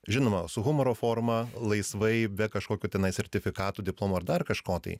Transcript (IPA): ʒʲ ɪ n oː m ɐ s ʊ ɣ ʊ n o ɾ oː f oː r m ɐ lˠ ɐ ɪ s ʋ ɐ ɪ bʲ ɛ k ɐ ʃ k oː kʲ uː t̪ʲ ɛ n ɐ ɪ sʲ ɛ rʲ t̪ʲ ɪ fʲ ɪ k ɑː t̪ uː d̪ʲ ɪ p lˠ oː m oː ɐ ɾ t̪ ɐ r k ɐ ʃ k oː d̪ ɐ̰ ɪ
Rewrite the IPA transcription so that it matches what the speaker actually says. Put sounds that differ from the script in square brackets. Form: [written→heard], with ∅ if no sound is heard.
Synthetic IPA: ʒʲ ɪ n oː m ɐ s ʊ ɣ ʊ [n→m] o ɾ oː f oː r m ɐ lˠ ɐ ɪ s ʋ ɐ ɪ bʲ ɛ k ɐ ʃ k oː kʲ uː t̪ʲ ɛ n ɐ ɪ sʲ ɛ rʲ t̪ʲ ɪ fʲ ɪ k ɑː t̪ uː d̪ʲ ɪ p lˠ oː m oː ɐ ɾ [t̪→d̪] ɐ r k ɐ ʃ k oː [d̪→t̪] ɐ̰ ɪ

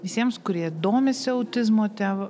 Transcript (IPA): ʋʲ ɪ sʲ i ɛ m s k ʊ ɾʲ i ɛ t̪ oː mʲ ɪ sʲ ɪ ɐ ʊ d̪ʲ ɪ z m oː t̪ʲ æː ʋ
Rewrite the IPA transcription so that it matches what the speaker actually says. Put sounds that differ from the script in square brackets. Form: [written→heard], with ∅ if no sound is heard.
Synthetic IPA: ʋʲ ɪ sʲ i ɛ m s k ʊ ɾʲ i ɛ [t̪→d̪] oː mʲ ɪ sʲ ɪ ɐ ʊ [d̪ʲ→t̪ʲ] ɪ z m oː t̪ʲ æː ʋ

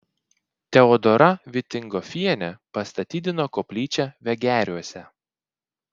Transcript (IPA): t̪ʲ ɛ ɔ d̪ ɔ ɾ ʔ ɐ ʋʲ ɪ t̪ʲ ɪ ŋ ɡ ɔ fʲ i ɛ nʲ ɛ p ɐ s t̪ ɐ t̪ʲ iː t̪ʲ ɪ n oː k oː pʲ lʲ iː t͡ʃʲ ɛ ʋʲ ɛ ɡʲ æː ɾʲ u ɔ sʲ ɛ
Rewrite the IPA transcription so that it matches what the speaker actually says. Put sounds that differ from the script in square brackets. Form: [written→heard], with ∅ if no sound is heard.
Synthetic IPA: t̪ʲ ɛ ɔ d̪ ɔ ɾ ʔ ɐ ʋʲ ɪ t̪ʲ ɪ ŋ ɡ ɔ fʲ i ɛ nʲ ɛ p ɐ s t̪ ɐ t̪ʲ iː [t̪ʲ→d̪ʲ] ɪ n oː k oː pʲ lʲ iː t͡ʃʲ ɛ ʋʲ ɛ ɡʲ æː ɾʲ u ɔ sʲ ɛ

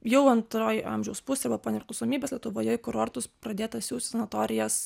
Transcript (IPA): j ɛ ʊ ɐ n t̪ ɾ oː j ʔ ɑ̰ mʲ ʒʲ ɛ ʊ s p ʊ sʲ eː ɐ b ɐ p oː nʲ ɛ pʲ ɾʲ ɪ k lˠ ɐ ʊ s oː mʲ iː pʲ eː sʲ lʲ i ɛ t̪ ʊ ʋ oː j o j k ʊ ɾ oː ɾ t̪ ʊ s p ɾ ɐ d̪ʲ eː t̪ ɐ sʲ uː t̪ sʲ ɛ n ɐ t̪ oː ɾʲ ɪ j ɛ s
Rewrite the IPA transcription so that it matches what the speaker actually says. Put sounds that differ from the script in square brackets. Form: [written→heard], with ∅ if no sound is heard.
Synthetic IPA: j ɛ ʊ ɐ n t̪ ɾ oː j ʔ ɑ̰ mʲ ʒʲ ɛ ʊ s p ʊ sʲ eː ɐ b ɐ p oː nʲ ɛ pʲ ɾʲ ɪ k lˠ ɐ ʊ s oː mʲ iː [pʲ→bʲ] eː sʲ lʲ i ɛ t̪ ʊ ʋ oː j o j k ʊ ɾ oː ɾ t̪ ʊ s p ɾ ɐ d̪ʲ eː t̪ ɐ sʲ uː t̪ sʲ ɛ n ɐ t̪ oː ɾʲ ɪ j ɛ s

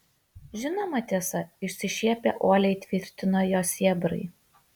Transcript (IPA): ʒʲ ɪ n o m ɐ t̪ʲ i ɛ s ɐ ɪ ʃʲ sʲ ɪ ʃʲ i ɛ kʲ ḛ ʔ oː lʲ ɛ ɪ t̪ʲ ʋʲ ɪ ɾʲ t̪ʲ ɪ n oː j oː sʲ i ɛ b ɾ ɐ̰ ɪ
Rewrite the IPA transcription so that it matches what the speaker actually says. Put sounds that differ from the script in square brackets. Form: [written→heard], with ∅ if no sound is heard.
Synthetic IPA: ʒʲ ɪ n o m ɐ t̪ʲ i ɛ s ɐ ɪ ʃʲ sʲ ɪ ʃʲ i ɛ [kʲ→pʲ] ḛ ʔ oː lʲ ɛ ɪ t̪ʲ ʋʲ ɪ ɾʲ t̪ʲ ɪ n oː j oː sʲ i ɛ b ɾ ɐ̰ ɪ

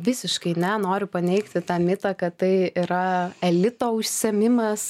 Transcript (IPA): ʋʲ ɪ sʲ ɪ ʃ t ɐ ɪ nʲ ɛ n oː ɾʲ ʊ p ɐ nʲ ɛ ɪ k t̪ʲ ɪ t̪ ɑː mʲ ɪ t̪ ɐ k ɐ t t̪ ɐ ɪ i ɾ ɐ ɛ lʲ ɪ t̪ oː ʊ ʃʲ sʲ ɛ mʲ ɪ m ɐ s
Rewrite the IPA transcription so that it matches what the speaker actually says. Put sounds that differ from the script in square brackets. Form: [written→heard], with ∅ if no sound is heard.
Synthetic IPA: ʋʲ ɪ sʲ ɪ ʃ [t→k] ɐ ɪ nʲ ɛ n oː ɾʲ ʊ p ɐ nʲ ɛ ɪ k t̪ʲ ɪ t̪ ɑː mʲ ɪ t̪ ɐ k ɐ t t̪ ɐ ɪ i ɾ ɐ ɛ lʲ ɪ t̪ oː ʊ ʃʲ sʲ ɛ mʲ ɪ m ɐ s

